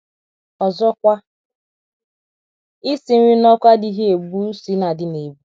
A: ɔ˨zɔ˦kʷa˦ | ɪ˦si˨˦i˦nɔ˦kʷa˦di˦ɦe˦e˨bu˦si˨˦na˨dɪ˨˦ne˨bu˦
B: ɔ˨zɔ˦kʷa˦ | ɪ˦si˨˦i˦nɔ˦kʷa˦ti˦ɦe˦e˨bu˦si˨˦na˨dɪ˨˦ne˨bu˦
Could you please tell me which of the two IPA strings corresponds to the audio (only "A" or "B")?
A